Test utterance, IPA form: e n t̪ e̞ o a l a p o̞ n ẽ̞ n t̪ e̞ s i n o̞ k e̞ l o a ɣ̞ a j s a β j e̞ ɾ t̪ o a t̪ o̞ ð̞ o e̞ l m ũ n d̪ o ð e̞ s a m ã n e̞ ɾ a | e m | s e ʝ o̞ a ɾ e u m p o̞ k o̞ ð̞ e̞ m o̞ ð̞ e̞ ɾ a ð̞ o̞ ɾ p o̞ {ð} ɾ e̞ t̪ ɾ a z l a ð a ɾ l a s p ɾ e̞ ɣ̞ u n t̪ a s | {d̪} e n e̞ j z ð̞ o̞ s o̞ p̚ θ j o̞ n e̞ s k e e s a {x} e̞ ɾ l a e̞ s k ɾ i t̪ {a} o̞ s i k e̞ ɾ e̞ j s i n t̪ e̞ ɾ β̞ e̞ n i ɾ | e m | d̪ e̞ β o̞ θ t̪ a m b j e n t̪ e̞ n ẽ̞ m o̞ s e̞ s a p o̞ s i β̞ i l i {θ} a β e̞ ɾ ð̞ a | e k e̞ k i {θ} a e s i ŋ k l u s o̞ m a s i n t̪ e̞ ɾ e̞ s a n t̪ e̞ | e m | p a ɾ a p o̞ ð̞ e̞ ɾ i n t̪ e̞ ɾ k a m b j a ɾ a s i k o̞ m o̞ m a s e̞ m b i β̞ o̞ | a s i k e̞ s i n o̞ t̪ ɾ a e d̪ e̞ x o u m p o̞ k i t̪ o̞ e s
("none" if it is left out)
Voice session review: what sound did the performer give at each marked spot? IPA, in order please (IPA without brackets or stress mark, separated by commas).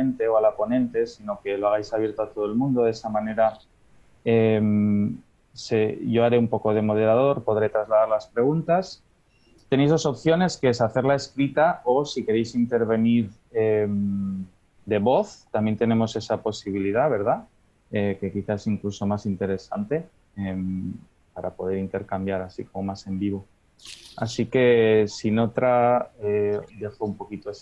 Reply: ð, t̪, θ, a, ð, θ